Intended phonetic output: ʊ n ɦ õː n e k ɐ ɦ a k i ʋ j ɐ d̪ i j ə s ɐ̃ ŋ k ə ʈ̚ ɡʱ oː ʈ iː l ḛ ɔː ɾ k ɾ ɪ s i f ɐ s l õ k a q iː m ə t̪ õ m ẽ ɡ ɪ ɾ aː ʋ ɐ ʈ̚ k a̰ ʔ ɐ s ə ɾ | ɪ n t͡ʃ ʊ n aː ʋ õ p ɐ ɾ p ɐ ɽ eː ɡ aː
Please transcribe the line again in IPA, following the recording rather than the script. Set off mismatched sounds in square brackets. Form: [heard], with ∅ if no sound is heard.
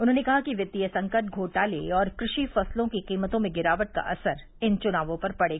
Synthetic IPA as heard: ʊ n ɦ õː n e k ɐ ɦ a k i ʋ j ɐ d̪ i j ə s ɐ̃ ŋ k ə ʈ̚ ɡʱ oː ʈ [aː] l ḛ ɔː ɾ k ɾ ɪ [ʃ] i f ɐ s l õ k [i] q iː m ə t̪ õ m ẽ ɡ ɪ ɾ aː ʋ [ə] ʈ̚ k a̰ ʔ ɐ s ə ɾ | ɪ n t͡ʃ ʊ n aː ʋ õ p ɐ ɾ p ɐ ɽ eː ɡ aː

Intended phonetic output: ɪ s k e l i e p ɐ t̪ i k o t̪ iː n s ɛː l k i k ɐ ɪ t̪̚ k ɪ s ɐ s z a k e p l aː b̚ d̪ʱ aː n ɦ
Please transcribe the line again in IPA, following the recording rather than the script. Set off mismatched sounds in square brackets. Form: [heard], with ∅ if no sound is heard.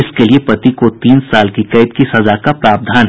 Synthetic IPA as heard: ɪ s k e l i e p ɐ t̪ i k o t̪ iː n s [aː] l k i k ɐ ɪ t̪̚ k [i] s ɐ [∅] z a k [a] p [ɾ] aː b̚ d̪ʱ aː n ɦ

